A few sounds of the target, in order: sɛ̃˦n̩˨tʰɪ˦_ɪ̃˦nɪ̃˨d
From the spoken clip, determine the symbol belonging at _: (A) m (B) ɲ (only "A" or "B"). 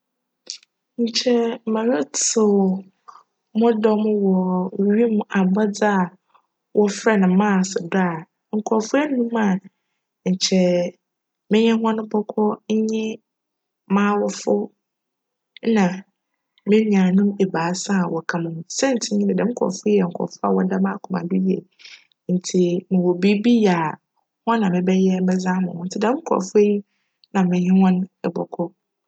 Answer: B